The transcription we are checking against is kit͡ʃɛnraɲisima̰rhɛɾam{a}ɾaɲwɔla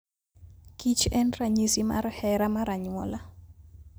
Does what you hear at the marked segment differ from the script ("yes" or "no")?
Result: no